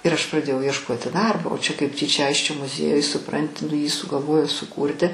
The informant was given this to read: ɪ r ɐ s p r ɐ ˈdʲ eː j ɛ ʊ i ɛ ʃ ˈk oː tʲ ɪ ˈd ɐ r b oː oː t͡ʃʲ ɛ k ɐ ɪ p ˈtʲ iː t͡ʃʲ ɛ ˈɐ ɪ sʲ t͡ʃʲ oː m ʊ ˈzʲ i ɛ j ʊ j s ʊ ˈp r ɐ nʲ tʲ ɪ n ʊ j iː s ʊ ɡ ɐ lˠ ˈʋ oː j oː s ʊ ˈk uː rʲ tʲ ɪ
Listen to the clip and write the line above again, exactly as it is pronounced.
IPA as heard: ɪ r ɐ ʃ p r ɐ ˈdʲ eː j ɛ ʊ i ɛ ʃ ˈk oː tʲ ɪ ˈd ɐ r b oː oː t͡ʃʲ ɛ k ɐ ɪ p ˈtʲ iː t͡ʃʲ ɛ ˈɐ ɪ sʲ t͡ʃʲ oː m ʊ ˈzʲ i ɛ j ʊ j s ʊ ˈp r ɐ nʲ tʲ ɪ n ʊ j iː s ʊ ɡ ɐ lˠ ˈʋ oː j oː s ʊ ˈk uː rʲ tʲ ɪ